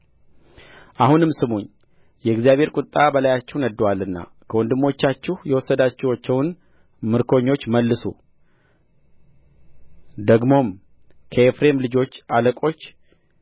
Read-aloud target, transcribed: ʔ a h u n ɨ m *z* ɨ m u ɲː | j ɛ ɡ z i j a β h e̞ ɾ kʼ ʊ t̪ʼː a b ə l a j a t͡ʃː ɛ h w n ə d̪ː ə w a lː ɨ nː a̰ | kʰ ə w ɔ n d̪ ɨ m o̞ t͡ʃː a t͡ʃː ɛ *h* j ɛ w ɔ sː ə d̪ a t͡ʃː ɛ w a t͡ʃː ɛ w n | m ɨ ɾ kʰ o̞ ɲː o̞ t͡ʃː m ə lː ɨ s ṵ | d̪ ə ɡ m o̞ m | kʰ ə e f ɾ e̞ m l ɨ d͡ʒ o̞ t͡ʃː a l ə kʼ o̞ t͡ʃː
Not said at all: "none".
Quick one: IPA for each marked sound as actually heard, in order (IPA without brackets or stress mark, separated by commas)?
s, h